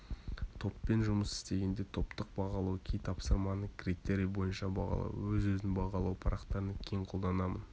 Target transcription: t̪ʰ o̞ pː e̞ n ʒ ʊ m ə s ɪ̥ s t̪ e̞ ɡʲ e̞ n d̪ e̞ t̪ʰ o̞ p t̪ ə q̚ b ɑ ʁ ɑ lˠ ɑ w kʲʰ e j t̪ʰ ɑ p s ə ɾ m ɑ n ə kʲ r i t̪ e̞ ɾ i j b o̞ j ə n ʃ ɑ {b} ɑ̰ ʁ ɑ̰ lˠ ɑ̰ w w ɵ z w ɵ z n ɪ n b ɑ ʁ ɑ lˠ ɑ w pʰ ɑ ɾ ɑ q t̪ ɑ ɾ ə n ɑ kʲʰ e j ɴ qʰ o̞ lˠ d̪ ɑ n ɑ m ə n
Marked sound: correct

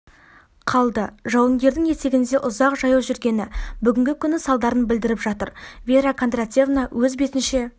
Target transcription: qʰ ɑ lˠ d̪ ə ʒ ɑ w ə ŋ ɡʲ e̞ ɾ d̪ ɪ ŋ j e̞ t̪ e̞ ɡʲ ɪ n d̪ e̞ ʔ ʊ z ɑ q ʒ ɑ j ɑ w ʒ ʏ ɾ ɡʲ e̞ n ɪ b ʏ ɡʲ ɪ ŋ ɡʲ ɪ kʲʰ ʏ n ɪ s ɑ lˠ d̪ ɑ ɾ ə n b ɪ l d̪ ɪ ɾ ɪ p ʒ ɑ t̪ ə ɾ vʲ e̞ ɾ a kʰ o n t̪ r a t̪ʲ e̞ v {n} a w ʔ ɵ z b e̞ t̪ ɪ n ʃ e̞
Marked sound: correct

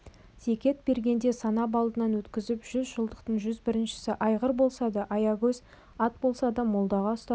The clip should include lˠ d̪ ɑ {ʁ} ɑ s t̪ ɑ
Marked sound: correct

